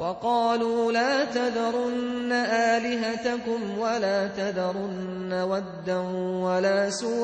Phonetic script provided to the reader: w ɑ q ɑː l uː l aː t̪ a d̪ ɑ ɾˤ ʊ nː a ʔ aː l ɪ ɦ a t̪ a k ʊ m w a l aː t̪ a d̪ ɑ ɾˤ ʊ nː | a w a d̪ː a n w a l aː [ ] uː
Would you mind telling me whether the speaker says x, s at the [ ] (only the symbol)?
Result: s